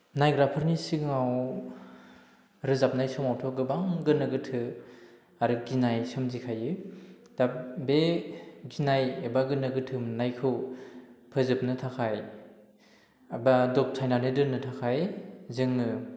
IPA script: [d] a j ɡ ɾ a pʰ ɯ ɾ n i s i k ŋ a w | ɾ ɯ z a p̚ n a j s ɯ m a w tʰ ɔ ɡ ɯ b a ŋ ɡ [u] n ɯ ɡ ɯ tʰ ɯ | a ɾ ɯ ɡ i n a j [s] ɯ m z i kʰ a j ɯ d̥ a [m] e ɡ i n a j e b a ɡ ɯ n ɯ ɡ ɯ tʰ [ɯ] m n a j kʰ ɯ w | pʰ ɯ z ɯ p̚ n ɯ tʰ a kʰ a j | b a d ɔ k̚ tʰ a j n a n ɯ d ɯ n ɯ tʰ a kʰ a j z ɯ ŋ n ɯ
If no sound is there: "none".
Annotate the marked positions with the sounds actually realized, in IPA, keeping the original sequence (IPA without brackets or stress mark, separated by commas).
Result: n, ɯ, s, b, ɯ